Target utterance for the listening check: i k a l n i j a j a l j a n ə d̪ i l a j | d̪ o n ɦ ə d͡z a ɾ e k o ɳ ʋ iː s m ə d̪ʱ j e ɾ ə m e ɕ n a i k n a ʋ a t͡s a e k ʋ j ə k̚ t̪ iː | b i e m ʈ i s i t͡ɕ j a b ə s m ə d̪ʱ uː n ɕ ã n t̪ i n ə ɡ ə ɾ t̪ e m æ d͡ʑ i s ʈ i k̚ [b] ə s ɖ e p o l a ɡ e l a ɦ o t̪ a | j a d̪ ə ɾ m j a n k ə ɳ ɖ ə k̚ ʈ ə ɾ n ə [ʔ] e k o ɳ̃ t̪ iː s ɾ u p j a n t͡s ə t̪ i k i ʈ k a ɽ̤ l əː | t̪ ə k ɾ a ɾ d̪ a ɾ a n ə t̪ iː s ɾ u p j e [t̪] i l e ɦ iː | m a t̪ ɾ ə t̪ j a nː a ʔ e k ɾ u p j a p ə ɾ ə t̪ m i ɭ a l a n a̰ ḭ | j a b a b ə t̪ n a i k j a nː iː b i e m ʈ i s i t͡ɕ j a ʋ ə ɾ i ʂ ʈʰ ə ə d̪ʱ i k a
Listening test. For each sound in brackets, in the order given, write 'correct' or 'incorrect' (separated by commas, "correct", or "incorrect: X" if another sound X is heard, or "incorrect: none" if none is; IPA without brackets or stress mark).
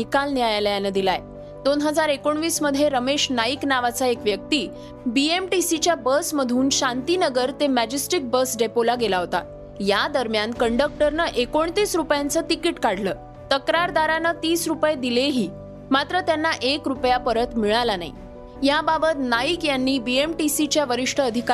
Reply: correct, correct, incorrect: d̪